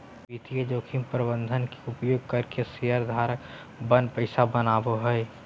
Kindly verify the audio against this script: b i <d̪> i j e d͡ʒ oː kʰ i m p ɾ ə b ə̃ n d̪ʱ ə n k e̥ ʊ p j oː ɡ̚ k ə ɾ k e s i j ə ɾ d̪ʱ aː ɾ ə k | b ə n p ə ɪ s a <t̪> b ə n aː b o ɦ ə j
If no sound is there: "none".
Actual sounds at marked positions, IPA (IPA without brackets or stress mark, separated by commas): t̪, none